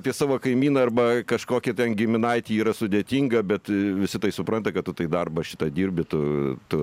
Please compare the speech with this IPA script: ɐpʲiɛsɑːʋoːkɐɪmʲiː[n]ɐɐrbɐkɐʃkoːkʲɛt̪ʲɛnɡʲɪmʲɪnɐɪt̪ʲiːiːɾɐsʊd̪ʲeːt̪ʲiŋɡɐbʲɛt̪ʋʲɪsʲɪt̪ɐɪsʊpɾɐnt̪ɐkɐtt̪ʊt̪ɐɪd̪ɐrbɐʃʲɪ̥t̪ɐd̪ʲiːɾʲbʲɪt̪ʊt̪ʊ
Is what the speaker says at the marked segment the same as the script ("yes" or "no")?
yes